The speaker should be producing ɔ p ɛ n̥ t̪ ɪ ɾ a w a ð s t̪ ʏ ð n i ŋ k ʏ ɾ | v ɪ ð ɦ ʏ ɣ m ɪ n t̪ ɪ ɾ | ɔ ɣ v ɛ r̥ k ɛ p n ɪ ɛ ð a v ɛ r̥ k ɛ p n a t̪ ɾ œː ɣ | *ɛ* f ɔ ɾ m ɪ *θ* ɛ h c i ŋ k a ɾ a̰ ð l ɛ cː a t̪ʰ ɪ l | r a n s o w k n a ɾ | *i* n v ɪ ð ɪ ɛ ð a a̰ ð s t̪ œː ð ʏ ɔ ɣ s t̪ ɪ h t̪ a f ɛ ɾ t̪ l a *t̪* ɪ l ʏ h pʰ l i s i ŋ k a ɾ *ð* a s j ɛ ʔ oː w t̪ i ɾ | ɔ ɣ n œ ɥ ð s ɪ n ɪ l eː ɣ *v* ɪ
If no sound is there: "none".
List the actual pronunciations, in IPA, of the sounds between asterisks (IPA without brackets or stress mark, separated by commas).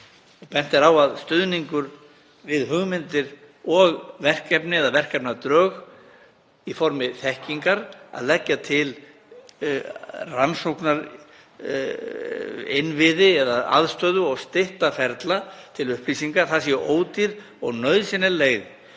i, θ, ɪ, t̪ʰ, θ, ð